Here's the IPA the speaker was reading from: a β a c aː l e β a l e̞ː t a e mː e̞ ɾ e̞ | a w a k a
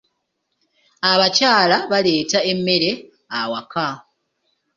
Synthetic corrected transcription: a β a c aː l a β a l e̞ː t a e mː e̞ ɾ e̞ | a w a k a